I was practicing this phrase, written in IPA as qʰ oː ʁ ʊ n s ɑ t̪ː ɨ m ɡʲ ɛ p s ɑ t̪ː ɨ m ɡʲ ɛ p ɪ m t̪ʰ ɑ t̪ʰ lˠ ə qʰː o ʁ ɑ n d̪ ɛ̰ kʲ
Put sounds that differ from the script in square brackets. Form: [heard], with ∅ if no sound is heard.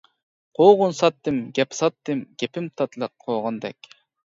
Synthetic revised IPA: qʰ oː ʁ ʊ n s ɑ t̪ː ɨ m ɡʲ ɛ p s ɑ t̪ː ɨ m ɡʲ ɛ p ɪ m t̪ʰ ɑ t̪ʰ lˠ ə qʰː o ʁ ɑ n d̪ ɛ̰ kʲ